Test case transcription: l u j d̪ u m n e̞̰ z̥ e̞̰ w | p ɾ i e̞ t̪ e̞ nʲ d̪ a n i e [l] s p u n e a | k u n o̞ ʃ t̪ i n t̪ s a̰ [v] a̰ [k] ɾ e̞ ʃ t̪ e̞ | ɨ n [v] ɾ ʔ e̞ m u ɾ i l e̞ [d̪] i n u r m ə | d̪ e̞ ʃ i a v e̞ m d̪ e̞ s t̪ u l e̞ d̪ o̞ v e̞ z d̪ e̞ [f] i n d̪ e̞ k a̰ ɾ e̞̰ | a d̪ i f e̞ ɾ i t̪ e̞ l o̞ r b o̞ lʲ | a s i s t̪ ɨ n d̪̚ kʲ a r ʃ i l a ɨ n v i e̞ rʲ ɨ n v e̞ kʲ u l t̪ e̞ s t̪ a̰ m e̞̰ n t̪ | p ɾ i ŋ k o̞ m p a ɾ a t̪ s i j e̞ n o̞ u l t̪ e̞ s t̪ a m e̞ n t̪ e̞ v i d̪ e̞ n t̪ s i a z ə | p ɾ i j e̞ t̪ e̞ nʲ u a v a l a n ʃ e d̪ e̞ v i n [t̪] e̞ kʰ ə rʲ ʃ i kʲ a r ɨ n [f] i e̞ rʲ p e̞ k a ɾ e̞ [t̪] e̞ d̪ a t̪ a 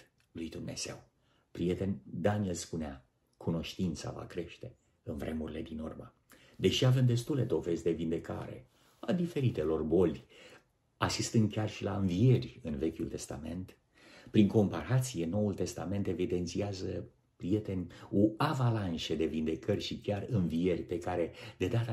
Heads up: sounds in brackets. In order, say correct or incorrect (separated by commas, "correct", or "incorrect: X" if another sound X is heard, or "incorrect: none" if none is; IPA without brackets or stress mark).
correct, correct, correct, correct, correct, incorrect: v, incorrect: d̪, incorrect: v, incorrect: d̪